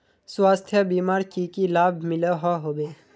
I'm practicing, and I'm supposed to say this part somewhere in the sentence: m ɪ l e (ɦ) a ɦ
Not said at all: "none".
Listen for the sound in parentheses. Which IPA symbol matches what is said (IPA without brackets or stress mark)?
ɦ